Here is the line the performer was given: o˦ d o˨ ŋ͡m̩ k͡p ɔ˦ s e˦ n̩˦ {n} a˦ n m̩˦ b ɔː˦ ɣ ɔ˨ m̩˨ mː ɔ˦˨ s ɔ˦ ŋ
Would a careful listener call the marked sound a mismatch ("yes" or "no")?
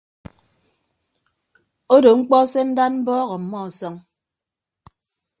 yes